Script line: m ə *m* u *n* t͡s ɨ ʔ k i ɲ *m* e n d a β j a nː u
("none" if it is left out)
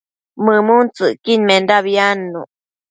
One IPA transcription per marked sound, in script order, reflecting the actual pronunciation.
m, n, m

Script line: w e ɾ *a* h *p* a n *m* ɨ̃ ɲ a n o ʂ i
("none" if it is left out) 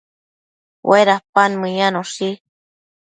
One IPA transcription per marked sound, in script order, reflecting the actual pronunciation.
a, p, m

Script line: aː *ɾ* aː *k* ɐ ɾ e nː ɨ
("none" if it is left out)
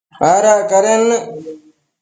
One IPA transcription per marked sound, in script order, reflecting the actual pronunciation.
ɾ, k

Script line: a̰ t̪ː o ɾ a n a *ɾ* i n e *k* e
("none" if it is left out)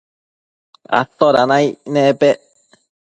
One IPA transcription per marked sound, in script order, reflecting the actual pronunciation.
none, p

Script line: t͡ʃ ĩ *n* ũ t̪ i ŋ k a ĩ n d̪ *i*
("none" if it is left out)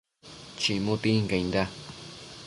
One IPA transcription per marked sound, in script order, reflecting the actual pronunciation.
m, a

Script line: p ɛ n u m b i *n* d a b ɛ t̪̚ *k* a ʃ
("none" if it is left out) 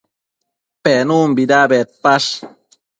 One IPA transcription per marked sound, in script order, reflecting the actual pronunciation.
none, p

